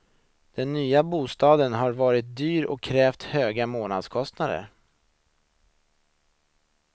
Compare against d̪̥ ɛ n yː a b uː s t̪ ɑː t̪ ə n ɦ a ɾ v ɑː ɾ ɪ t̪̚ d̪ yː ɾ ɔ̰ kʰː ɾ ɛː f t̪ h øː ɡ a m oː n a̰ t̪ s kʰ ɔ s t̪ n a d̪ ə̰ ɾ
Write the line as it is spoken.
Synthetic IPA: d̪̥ ɛ nː yː a b uː s t̪ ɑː d̪ ə n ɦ a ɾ v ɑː ɾ ɪ t̪̚ d̪ yː ɾ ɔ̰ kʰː ɾ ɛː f t̪ h øː ɡ a m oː n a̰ d̪ s kʰ ɔ s t̪ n a d̪ ə̰ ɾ